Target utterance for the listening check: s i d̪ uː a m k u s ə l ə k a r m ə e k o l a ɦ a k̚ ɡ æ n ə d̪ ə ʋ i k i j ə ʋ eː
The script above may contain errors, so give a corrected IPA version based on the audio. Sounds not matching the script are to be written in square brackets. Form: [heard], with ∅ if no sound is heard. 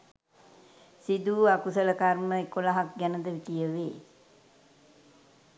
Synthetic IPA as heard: s i d̪ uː a [∅] k u s ə l ə k a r m ə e k o l a ɦ a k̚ ɡ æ n ə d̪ ə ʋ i k i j ə ʋ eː